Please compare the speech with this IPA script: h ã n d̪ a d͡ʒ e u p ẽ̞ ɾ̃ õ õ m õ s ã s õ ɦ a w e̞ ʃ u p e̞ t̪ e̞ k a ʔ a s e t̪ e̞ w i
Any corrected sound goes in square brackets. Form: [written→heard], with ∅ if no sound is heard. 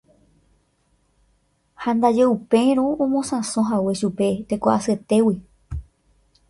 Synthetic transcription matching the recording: h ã n d̪ a d͡ʒ e u p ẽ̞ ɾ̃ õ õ m õ s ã s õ ɦ a w e̞ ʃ u p e̞ t̪ e̞ k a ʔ a s e t̪ e̞ w i